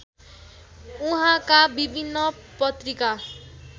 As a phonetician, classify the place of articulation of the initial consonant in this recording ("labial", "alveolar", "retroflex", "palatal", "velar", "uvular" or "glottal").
glottal